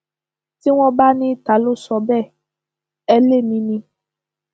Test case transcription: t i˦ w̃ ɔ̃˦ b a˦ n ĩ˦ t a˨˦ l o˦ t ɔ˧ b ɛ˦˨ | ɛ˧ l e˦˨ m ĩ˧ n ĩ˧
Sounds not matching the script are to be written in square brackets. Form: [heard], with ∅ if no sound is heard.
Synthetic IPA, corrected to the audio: t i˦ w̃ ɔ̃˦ b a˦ n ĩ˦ t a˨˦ l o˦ [s] ɔ˧ b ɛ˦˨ | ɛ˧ l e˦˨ m ĩ˧ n ĩ˧